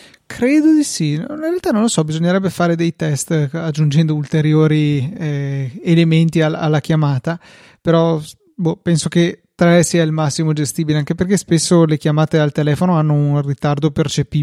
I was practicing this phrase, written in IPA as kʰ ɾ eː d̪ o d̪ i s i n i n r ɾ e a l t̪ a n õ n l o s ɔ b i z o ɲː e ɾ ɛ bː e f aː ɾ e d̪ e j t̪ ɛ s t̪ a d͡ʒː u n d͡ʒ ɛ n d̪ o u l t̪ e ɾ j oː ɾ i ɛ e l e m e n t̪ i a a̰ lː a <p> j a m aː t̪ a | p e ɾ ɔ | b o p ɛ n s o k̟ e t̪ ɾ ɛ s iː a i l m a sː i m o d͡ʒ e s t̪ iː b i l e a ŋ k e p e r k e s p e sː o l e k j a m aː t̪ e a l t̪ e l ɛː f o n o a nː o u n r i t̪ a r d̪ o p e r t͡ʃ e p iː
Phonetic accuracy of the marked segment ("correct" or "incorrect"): incorrect